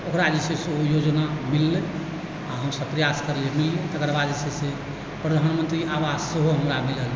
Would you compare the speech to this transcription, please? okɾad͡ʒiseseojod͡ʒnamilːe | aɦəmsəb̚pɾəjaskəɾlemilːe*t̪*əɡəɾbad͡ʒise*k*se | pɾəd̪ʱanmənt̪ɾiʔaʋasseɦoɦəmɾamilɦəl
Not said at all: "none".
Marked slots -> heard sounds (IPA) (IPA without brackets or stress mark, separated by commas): t̪, none